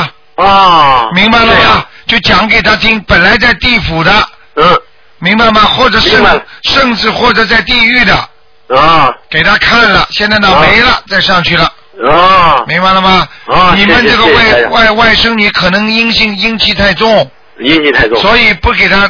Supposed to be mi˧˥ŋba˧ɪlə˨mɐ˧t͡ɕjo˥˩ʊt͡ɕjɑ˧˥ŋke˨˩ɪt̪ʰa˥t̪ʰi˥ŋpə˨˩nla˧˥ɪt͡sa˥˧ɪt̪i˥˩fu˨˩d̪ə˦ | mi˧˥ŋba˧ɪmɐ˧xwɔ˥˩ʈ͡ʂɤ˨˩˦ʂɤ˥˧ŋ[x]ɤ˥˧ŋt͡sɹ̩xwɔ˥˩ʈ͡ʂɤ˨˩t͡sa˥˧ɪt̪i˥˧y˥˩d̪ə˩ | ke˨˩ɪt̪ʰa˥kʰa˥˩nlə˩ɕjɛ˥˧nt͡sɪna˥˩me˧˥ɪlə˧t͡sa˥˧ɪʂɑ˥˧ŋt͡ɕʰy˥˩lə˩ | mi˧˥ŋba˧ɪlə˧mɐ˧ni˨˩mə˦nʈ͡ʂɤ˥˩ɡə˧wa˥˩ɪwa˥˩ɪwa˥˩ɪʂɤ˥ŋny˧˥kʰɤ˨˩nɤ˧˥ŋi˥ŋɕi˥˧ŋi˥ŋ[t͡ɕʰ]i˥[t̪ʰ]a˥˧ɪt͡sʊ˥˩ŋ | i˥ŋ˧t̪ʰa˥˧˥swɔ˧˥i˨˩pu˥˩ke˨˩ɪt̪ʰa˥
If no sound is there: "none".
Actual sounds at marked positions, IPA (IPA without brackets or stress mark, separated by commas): ʂ, t͡ɕʰ, t̪ʰ